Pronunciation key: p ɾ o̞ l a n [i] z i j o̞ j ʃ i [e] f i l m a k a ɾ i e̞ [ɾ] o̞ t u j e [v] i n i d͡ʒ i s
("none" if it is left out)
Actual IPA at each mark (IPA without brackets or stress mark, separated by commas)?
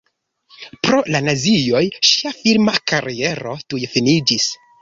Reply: a, a, ɾ, f